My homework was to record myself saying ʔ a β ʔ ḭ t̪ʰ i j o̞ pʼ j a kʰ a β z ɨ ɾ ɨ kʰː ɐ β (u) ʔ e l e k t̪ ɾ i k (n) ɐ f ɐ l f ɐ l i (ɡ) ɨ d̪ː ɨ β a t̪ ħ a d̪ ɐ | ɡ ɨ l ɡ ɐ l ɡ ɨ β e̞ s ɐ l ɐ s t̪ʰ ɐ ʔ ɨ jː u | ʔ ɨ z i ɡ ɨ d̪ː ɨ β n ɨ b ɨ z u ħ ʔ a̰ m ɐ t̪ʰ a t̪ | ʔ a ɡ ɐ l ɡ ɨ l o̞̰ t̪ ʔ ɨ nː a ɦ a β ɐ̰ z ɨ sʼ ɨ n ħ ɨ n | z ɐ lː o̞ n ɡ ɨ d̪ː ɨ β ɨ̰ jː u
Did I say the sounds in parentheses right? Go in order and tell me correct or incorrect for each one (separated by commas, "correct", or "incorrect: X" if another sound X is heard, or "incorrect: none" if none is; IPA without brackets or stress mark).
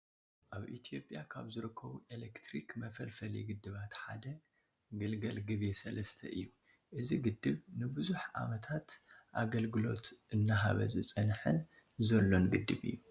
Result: correct, incorrect: m, correct